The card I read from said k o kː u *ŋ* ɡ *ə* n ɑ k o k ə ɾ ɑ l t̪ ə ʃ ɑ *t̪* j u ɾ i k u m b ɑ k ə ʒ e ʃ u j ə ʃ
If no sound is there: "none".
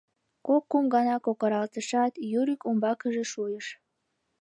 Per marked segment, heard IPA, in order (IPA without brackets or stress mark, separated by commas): m, ɑ, t̪